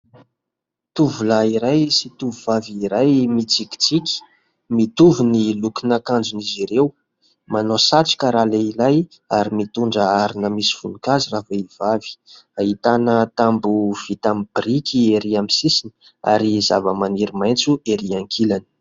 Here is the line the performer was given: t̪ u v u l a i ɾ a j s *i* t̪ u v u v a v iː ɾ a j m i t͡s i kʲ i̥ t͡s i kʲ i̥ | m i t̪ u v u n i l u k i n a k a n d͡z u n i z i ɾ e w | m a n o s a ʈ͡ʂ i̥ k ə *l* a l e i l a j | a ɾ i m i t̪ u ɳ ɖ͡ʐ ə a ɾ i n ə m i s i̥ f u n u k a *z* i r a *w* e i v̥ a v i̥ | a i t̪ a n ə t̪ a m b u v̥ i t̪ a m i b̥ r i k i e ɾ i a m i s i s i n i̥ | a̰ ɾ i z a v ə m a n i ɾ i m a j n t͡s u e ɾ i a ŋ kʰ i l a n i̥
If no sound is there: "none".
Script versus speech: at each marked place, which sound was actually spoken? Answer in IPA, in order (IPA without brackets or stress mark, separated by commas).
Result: i, ɾ, z, v